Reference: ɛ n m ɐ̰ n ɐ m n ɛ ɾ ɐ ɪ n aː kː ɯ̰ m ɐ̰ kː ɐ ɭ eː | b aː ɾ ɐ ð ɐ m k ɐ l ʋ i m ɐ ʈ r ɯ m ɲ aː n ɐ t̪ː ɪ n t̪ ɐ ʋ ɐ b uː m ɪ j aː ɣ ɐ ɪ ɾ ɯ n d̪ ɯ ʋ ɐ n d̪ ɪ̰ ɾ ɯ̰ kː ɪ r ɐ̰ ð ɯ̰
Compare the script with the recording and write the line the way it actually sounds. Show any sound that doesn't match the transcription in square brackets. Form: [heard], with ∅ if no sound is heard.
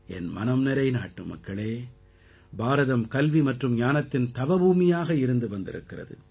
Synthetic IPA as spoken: ɛ n m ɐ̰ n ɐ m n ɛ ɾ ɐ ɪ n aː [ʈː] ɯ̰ m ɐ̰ kː ɐ ɭ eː | b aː ɾ ɐ ð ɐ m k ɐ l ʋ i m ɐ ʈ r ɯ m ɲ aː n ɐ t̪ː ɪ n t̪ ɐ ʋ ɐ b uː m ɪ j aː ɣ ɐ ɪ ɾ ɯ n d̪ ɯ ʋ ɐ n d̪ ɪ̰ ɾ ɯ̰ kː ɪ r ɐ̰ ð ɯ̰